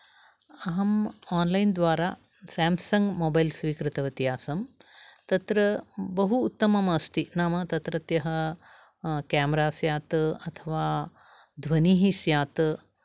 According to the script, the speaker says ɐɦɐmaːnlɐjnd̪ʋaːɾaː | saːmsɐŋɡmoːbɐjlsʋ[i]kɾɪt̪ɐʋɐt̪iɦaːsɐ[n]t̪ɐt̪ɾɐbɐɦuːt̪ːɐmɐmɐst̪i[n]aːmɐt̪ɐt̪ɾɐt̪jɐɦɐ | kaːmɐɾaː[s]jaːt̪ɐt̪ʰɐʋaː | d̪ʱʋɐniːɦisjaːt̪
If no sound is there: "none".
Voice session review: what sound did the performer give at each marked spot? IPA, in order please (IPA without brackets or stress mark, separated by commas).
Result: iː, m, n, s